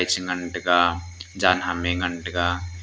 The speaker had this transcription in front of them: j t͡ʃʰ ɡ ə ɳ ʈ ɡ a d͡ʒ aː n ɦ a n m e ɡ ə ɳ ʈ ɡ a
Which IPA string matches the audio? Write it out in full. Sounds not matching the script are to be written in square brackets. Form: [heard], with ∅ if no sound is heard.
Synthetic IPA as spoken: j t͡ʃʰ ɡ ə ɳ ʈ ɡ a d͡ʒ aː n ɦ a [∅] m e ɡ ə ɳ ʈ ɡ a